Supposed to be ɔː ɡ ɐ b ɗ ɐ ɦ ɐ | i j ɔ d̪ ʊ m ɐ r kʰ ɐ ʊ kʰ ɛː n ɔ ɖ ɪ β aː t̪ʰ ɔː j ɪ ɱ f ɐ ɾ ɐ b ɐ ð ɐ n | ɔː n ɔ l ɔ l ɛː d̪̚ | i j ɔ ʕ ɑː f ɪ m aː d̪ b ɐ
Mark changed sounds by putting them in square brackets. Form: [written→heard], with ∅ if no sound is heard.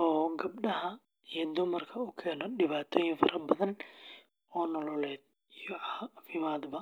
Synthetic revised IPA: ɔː ɡ ɐ b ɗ ɐ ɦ ɐ | i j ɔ d̪ ʊ m ɐ r kʰ ɐ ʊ kʰ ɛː n ɔ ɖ ɪ β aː t̪ʰ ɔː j ɪ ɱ f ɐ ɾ ɐ b ɐ ð ɐ n | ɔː n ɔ l ɔ l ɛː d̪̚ | i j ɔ ʕ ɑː f ɪ m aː d̪ b ɐ

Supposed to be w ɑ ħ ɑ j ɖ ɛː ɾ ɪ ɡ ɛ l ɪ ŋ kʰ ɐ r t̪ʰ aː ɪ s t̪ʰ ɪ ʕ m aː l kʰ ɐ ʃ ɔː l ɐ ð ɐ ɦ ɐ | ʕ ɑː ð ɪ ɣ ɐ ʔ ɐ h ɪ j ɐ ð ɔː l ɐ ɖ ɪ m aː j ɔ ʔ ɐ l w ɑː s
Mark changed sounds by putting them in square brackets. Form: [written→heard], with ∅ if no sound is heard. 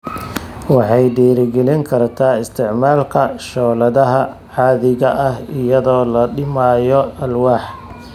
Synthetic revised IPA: w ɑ ħ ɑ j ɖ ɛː ɾ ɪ ɡ ɛ l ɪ ŋ kʰ ɐ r t̪ʰ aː ɪ s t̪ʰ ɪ ʕ m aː l kʰ ɐ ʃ ɔː l ɐ ð ɐ ɦ ɐ | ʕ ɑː ð ɪ ɣ ɐ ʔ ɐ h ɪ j ɐ ð ɔː l ɐ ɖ ɪ m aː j ɔ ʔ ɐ l w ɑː [s→ħ]

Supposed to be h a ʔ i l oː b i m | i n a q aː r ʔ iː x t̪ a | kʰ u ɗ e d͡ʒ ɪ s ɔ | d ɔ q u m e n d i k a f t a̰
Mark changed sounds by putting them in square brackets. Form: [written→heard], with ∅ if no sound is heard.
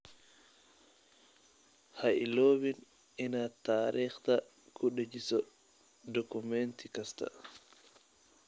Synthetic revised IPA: h a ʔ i l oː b i [m→n] | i n a [q→t] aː [r→ɾ] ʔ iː x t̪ a | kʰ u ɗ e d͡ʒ [ɪ→i] s ɔ | d ɔ [q→k] u m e n [d→t] i k a [f→s] t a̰

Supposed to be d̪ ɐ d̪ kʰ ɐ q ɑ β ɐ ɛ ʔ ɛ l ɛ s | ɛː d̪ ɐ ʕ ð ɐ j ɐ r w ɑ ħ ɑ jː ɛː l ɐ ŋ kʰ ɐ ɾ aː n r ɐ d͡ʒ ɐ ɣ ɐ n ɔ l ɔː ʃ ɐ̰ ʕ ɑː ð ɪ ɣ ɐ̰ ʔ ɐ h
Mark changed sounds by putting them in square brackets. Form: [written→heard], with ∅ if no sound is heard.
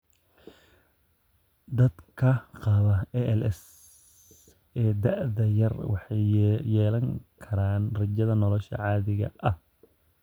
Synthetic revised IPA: d̪ ɐ d̪ kʰ ɐ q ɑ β ɐ ɛ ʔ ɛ l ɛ s | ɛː d̪ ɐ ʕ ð ɐ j ɐ r w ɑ ħ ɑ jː ɛː l ɐ ŋ kʰ ɐ ɾ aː n r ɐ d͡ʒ ɐ [ɣ→ð] ɐ n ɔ l [ɔː→ɔ] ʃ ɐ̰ ʕ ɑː ð ɪ ɣ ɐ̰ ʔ ɐ h

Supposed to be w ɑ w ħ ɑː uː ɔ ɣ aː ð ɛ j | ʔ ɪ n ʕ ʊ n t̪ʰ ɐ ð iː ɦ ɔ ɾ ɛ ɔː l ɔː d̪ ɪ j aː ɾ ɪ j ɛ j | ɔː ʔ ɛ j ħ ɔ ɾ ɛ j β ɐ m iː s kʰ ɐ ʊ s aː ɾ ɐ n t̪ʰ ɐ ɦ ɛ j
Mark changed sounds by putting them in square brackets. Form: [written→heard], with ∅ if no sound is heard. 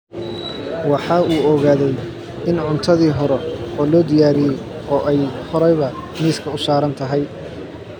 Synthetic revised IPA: w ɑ [w→∅] ħ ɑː uː ɔ ɣ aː ð ɛ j | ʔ ɪ n ʕ ʊ n t̪ʰ ɐ ð iː ɦ ɔ ɾ ɛ ɔː l ɔː d̪ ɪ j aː ɾ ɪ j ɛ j | ɔː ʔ ɛ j [ħ→h] ɔ ɾ ɛ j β ɐ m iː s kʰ ɐ ʊ s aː ɾ ɐ n t̪ʰ ɐ ɦ ɛ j

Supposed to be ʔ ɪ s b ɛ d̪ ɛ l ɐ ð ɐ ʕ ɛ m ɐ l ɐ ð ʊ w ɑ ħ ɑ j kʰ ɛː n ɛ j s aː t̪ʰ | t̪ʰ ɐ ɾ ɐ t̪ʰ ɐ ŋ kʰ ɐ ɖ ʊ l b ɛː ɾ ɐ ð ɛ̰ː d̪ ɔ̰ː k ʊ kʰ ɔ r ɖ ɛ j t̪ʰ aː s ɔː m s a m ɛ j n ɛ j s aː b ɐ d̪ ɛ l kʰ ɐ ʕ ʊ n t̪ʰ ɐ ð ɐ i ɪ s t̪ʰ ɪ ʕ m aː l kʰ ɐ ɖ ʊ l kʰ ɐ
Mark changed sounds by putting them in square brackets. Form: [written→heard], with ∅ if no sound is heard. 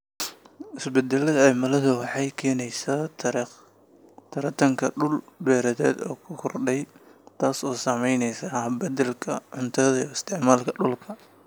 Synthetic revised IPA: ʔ ɪ s b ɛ d̪ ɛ l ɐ ð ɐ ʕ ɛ m ɐ l ɐ ð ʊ w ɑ ħ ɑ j kʰ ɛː n ɛ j s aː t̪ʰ | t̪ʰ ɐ ɾ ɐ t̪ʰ ɐ ŋ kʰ ɐ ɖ ʊ l b ɛː ɾ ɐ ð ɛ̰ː d̪ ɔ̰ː [k→kʰ] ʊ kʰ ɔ r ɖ ɛ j t̪ʰ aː s ɔː [m→∅] s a m ɛ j n ɛ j s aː b ɐ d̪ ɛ l kʰ ɐ ʕ ʊ n t̪ʰ ɐ ð ɐ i ɪ s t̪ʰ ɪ ʕ m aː l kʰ ɐ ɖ ʊ l kʰ ɐ

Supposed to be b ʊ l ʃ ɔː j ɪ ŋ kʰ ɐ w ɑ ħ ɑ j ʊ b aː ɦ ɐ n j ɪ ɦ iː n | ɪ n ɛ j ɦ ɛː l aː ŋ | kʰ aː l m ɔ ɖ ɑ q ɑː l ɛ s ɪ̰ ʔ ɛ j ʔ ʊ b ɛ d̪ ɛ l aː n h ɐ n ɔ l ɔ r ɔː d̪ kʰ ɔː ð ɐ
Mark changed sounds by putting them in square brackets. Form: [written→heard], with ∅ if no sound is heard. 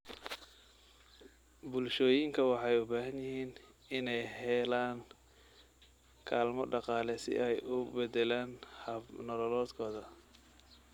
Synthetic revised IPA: b ʊ l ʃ ɔː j ɪ ŋ kʰ ɐ w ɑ ħ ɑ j ʊ b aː ɦ ɐ n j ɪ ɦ iː n | ɪ n ɛ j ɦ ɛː l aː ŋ | kʰ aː l m ɔ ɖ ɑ q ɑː l ɛ s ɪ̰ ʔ ɛ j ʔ ʊ b ɛ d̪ ɛ l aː n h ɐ n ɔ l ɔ [r→l] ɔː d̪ kʰ ɔː ð ɐ

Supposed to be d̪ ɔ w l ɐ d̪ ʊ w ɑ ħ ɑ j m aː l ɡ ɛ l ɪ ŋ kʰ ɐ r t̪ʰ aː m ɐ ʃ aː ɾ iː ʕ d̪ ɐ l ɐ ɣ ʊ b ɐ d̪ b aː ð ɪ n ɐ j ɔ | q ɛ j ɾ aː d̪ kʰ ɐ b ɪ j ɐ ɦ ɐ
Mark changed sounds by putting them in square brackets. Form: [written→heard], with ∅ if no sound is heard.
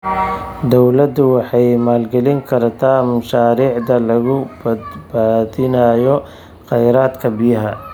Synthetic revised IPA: d̪ ɔ w l ɐ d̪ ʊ w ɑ ħ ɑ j m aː l ɡ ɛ l ɪ ŋ kʰ ɐ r t̪ʰ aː m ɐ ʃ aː ɾ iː ʕ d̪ ɐ l ɐ ɣ ʊ b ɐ d̪ b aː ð ɪ n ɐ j ɔ | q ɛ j ɾ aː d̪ kʰ ɐ b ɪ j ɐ ɦ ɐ

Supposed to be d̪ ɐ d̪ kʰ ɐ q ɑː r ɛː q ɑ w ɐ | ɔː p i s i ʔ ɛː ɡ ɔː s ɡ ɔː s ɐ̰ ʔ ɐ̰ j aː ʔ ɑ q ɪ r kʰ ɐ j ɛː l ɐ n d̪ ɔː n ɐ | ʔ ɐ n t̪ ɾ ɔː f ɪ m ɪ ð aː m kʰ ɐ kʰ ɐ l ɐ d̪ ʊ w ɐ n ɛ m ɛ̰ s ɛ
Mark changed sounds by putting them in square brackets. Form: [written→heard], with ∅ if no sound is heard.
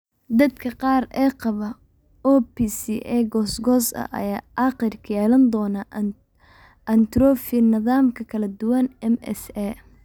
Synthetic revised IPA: d̪ ɐ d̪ kʰ ɐ q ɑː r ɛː q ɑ [w→β] ɐ | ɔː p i s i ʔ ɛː ɡ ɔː s ɡ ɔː s ɐ̰ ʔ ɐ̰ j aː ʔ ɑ q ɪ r kʰ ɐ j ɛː l ɐ n d̪ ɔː n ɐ | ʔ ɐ n t̪ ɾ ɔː f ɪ [m→n] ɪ ð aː m kʰ ɐ kʰ ɐ l ɐ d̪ ʊ w ɐ n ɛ m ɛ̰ s ɛ

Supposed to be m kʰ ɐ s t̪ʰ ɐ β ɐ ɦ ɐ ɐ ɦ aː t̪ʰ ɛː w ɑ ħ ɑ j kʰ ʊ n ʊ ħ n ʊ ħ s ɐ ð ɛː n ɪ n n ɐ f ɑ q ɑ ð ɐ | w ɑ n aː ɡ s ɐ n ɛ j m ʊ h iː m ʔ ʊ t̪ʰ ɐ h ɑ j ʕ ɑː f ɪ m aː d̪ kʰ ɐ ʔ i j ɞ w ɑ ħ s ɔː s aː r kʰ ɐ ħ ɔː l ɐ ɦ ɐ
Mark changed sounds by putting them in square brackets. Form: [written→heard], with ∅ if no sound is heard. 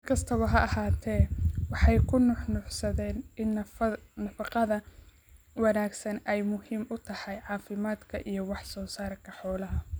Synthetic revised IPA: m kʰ ɐ s t̪ʰ ɐ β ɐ ɦ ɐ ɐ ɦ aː t̪ʰ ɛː w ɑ ħ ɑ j kʰ ʊ n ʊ ħ n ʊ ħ s ɐ ð ɛː n ɪ n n ɐ f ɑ q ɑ ð ɐ | w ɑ n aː ɡ s ɐ n ɛ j m ʊ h iː m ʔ ʊ t̪ʰ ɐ h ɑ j ʕ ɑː f ɪ m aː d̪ kʰ ɐ ʔ i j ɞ w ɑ ħ s ɔː s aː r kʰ ɐ ħ ɔː l ɐ ɦ ɐ

